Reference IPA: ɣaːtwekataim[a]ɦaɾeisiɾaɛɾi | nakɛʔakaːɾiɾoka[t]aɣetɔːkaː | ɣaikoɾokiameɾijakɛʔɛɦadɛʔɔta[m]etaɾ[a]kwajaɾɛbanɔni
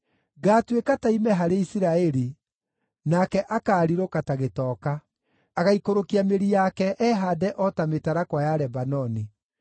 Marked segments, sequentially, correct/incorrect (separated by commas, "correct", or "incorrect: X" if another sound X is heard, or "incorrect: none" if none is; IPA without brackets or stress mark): incorrect: ɛ, correct, correct, correct